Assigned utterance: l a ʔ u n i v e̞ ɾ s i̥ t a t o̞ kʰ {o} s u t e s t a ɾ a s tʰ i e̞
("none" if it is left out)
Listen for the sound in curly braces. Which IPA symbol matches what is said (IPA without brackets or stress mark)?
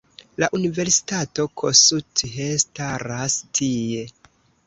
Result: o